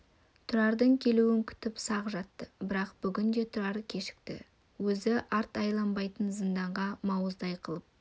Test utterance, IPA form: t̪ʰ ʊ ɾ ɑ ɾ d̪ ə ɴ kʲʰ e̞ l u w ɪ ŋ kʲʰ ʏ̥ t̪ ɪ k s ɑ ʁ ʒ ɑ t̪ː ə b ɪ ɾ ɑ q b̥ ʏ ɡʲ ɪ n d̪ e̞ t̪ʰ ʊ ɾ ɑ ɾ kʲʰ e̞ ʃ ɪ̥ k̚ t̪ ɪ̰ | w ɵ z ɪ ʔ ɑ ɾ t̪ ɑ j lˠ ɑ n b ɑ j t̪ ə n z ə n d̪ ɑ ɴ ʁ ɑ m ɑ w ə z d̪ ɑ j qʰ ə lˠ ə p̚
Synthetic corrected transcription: t̪ʰ ʊ ɾ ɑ ɾ d̪ ə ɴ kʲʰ e̞ l u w ɪ ŋ kʲʰ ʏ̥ t̪ ɪ p s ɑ ʁ ʒ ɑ t̪ː ə b ɪ ɾ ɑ q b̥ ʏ ɡʲ ɪ n d̪ e̞ t̪ʰ ʊ ɾ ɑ ɾ kʲʰ e̞ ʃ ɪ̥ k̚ t̪ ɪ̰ | w ɵ z ɪ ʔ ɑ ɾ t̪ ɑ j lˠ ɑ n b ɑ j t̪ ə n z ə n d̪ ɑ ɴ ʁ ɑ m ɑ w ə z d̪ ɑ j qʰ ə lˠ ə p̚